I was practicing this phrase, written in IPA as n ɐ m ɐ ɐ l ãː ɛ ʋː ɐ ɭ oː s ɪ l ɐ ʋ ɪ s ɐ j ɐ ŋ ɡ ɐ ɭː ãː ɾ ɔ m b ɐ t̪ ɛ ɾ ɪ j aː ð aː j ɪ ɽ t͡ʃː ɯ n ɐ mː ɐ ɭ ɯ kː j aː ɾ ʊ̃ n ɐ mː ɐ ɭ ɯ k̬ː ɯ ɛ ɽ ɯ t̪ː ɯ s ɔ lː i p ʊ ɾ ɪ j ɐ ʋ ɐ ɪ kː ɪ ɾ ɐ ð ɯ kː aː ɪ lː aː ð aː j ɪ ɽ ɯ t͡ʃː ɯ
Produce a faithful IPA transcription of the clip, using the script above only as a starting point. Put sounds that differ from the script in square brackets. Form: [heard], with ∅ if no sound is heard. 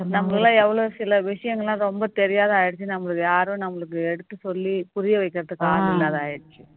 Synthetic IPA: n ɐ m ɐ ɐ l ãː ɛ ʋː ɐ ɭ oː s ɪ l ɐ ʋ ɪ [ʂ] ɐ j ɐ ŋ ɡ ɐ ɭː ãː ɾ ɔ m b ɐ t̪ ɛ ɾ ɪ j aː ð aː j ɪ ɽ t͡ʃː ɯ n ɐ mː ɐ ɭ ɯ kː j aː ɾ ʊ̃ n ɐ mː ɐ ɭ ɯ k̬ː ɯ ɛ ɽ ɯ t̪ː ɯ s ɔ lː i p ʊ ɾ ɪ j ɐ ʋ ɐ ɪ kː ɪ ɾ ɐ ð ɯ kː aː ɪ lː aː ð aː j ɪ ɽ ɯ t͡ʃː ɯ